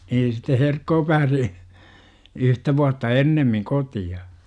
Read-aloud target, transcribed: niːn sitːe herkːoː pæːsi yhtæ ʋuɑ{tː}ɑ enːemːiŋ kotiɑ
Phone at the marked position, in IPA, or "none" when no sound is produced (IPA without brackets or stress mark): tː